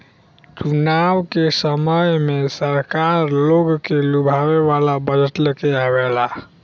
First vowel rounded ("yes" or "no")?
yes